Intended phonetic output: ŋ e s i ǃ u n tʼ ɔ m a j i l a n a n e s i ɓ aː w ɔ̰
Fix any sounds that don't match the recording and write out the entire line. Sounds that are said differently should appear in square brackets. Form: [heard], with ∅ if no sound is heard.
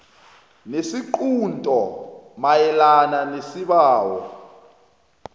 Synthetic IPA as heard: [n] e s i ǃ u n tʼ ɔ m a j [ɛ] l a n a n e s i ɓ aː w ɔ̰